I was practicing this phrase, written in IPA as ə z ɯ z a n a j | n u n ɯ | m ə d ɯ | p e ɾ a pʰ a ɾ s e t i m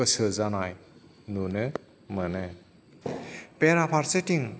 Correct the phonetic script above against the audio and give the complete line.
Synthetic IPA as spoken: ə s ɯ z a n a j | n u n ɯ | m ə n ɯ | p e ɾ a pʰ a ɾ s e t i ŋ